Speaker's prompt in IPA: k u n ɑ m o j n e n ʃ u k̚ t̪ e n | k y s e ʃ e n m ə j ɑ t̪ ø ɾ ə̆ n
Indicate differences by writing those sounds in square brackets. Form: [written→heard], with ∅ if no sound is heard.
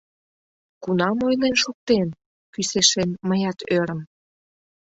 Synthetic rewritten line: k u n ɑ m o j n e n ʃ u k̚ t̪ e n | k y s e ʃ e n m ə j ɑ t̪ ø ɾ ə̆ [n→m]

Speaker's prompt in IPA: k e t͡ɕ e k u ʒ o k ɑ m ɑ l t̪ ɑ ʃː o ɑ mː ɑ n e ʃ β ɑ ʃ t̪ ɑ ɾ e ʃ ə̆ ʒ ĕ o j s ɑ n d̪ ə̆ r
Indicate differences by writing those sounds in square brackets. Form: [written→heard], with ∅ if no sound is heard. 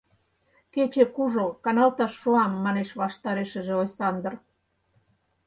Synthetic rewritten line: k e t͡ɕ e k u ʒ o k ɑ [m→n] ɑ l t̪ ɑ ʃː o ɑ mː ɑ n e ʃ β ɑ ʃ t̪ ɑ ɾ e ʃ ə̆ ʒ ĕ o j s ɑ n d̪ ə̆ r

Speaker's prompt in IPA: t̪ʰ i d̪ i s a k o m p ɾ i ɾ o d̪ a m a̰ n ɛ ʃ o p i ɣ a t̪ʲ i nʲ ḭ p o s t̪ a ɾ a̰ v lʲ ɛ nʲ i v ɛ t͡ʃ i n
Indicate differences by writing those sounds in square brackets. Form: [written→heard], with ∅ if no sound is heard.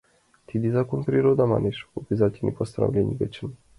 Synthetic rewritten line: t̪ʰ i d̪ i [s→z] a k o [m→n] p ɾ i ɾ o d̪ a m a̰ n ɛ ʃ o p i [ɣ→z] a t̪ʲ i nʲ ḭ p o s t̪ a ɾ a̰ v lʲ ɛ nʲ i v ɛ t͡ʃ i n

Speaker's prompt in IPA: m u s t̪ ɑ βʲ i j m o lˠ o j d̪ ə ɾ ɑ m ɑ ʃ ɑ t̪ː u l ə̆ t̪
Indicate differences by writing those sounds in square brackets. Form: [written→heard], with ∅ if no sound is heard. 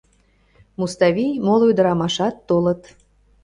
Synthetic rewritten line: m u s t̪ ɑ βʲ i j m o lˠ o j d̪ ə ɾ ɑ m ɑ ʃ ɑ t̪ː [u→o] l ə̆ t̪

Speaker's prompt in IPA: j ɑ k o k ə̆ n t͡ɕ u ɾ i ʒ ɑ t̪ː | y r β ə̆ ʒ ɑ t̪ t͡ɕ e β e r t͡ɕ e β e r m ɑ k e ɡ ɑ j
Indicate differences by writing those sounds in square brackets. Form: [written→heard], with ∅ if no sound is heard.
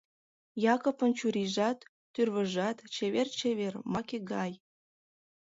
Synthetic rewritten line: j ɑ k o [k→p] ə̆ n t͡ɕ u ɾ i ʒ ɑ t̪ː | y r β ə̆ ʒ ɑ t̪ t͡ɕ e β e r t͡ɕ e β e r m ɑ k e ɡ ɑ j

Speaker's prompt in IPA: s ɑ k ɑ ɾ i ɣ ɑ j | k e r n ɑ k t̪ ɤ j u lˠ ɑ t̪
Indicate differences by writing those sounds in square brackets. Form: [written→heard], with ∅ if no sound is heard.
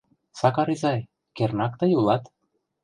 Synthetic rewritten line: s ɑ k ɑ ɾ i [ɣ→z] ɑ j | k e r n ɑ k t̪ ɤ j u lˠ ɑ t̪

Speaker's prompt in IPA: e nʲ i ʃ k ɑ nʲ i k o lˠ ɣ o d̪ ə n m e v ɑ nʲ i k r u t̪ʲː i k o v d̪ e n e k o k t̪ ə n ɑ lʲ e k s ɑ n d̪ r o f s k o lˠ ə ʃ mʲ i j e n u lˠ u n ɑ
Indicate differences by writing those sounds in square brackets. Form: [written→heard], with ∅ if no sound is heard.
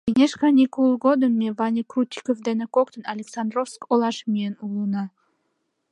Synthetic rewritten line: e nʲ [i→e] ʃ k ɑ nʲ i k [o→u] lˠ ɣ o d̪ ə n m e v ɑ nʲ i k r u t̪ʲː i k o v d̪ e n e k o k t̪ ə n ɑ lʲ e k s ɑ n d̪ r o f s k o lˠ [ə→ɑ] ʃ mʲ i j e n u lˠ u n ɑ

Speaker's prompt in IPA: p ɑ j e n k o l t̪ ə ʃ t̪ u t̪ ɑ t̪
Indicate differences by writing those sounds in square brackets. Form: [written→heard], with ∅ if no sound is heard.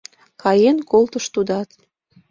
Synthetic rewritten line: [p→k] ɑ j e n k o l t̪ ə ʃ t̪ u [t̪→d̪] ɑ t̪

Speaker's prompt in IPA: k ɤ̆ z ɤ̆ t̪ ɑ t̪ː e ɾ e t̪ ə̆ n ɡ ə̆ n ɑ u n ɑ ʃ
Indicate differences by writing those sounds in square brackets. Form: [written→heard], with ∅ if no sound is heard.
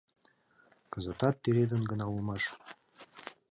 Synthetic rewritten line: k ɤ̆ z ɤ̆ t̪ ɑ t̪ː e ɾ e [t̪→d̪] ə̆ n ɡ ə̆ n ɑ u [n→m] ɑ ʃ

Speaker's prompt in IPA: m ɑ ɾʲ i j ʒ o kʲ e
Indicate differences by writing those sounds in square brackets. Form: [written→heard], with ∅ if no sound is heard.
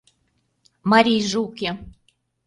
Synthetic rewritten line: m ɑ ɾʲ i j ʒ [o→u] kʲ e

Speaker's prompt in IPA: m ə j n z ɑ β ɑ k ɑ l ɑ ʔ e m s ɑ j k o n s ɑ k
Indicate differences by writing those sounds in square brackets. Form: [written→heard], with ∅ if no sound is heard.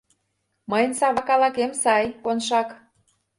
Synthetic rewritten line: m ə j n [z→s] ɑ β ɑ k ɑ l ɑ [ʔ→k] e m s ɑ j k o n [s→ʃ] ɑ k

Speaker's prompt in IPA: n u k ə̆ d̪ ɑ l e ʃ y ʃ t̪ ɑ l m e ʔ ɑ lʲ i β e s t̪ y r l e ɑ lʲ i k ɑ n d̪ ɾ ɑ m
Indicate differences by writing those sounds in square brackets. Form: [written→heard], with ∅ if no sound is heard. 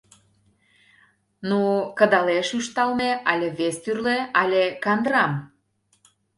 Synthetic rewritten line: n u k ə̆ d̪ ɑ l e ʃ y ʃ t̪ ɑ l m e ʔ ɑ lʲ [i→e] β e s t̪ y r l e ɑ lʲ [i→e] k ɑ n d̪ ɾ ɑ m

